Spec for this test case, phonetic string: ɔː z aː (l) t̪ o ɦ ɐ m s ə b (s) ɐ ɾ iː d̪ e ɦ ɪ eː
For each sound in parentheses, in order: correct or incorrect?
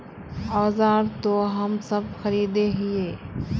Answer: incorrect, incorrect

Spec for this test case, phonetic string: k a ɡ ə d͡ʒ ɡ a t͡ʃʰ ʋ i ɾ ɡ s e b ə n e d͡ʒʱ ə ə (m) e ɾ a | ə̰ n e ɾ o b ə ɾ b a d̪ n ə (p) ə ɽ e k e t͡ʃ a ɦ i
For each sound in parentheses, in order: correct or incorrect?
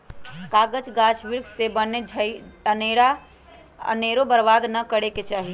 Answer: incorrect, incorrect

